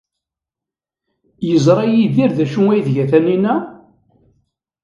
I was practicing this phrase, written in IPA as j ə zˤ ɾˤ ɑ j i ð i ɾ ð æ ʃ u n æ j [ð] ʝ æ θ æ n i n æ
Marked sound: correct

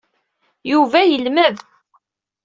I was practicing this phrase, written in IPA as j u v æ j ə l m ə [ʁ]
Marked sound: incorrect: ð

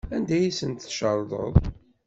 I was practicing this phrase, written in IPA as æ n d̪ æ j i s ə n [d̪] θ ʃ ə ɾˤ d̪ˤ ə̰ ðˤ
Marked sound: incorrect: t̪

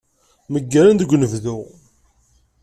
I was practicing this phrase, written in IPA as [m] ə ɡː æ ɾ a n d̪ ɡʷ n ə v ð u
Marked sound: correct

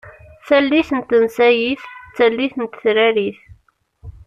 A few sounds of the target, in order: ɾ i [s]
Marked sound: incorrect: θ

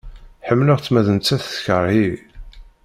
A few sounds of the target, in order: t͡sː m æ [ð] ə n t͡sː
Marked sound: correct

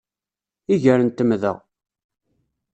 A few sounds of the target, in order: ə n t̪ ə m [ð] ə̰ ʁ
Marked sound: correct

